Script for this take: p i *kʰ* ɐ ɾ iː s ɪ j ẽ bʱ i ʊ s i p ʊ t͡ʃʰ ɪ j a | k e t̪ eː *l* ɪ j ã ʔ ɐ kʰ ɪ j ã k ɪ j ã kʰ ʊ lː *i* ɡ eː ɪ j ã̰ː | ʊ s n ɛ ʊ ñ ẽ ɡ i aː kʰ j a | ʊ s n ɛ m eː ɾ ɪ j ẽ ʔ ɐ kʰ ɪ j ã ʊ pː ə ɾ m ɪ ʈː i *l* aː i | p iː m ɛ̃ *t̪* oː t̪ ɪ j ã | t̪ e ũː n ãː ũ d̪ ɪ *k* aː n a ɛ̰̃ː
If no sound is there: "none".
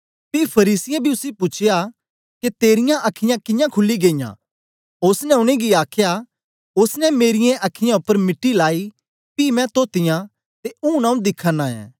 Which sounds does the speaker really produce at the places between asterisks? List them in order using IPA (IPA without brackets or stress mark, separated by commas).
pʰ, ɾ, i, l, t̪, kʰ